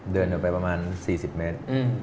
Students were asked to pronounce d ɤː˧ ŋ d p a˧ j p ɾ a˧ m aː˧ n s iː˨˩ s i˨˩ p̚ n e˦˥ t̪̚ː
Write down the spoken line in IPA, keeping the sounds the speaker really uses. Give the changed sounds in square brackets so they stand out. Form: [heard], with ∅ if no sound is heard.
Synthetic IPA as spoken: d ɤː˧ [n] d p a˧ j p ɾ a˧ m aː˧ n s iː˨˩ s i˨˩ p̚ [m] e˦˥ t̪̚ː

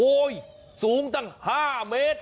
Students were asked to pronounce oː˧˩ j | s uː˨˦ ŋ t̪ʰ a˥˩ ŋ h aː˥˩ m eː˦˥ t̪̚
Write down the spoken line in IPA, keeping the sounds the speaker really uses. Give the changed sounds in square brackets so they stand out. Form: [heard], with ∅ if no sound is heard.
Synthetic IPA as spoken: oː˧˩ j | s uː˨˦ ŋ [t̪] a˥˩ ŋ h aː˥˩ m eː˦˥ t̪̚

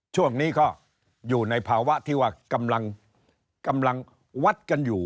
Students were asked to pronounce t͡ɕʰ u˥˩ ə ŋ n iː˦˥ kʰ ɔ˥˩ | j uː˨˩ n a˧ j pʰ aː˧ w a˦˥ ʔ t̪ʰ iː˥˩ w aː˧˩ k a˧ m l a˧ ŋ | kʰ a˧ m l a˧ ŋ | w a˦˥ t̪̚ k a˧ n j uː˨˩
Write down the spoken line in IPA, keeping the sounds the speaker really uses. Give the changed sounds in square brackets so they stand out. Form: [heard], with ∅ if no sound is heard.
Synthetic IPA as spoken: t͡ɕʰ u˥˩ ə ŋ n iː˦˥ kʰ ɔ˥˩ | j uː˨˩ n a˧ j pʰ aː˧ w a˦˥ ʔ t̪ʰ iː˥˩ w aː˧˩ k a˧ m l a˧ ŋ | [k] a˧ m l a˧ ŋ | w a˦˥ t̪̚ k a˧ n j uː˨˩

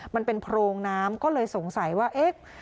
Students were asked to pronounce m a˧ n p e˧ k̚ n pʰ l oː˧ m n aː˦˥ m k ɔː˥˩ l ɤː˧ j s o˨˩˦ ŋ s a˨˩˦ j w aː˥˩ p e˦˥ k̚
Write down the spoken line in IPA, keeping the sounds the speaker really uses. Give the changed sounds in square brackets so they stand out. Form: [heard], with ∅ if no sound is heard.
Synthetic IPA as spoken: m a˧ n p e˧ [∅] n pʰ [ɾ] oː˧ [ŋ] n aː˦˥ m k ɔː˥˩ l ɤː˧ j s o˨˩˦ ŋ s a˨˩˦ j w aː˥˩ [ʔ] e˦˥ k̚

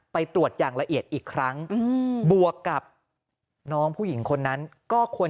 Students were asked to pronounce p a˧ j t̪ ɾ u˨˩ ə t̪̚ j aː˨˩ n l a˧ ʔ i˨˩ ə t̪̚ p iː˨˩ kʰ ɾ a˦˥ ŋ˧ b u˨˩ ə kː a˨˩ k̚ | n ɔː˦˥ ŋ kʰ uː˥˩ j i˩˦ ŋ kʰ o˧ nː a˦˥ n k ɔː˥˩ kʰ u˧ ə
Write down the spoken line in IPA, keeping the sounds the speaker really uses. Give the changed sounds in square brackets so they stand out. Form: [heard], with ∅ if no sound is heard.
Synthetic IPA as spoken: p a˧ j t̪ ɾ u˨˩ ə t̪̚ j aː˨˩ [ŋ] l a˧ ʔ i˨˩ ə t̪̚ [ʔ] iː˨˩ kʰ ɾ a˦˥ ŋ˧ b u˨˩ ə kː a˨˩ [p̚] | n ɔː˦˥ ŋ [pʰ] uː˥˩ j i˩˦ ŋ kʰ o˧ nː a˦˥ n k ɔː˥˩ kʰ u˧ ə

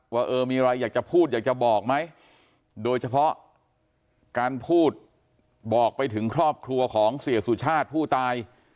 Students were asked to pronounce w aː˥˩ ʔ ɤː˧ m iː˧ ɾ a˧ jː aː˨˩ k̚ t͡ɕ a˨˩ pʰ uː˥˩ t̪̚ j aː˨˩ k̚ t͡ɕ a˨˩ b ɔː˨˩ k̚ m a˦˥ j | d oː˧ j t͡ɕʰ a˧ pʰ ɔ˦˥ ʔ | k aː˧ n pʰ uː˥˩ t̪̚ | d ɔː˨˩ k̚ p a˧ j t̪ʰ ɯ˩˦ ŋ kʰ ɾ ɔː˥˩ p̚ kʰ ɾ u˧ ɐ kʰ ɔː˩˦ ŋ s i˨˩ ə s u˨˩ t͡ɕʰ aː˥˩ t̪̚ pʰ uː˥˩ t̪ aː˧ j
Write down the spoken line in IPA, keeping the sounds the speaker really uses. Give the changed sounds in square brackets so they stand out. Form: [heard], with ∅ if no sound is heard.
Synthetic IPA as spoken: w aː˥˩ ʔ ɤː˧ m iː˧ ɾ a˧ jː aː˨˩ k̚ t͡ɕ a˨˩ pʰ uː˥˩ t̪̚ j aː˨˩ k̚ t͡ɕ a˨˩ b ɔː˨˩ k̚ m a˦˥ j | d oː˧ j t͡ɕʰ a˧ pʰ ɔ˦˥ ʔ | k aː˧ n pʰ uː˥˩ t̪̚ | [b] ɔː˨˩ k̚ p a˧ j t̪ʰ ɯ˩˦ ŋ kʰ ɾ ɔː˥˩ p̚ kʰ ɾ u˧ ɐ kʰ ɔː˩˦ ŋ s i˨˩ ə s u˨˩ t͡ɕʰ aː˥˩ t̪̚ pʰ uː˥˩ t̪ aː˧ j

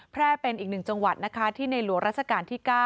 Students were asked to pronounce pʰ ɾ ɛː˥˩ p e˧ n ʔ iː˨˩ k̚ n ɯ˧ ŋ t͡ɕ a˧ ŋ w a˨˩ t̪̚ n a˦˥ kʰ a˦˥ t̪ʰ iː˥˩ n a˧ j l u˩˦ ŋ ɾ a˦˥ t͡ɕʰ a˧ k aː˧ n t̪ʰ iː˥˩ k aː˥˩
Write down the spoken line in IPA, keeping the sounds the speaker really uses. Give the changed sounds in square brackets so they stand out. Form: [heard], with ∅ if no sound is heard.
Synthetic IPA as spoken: pʰ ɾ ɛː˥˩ p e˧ n ʔ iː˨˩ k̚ n [ɯ˨˩] ŋ t͡ɕ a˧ ŋ w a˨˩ t̪̚ n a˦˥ kʰ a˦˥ t̪ʰ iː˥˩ n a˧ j l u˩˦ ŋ ɾ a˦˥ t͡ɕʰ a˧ k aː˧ n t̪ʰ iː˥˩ k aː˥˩

